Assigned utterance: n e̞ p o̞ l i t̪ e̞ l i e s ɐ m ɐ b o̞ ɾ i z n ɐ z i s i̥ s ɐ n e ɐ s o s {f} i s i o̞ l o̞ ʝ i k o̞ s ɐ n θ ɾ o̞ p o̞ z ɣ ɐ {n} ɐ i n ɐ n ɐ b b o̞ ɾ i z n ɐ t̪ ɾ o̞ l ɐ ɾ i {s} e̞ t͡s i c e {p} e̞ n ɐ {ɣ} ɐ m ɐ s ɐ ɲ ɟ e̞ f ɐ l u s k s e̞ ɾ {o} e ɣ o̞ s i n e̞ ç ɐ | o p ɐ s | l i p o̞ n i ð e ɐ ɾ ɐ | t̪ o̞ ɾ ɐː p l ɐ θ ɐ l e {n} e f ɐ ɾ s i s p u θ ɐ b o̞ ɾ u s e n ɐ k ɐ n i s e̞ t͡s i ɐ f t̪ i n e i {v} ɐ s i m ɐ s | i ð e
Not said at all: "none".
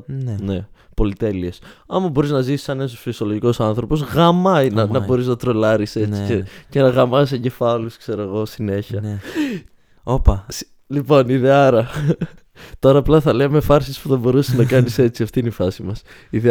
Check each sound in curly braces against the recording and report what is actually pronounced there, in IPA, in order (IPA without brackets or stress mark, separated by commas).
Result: f, m, s, c, ɣ, o, m, f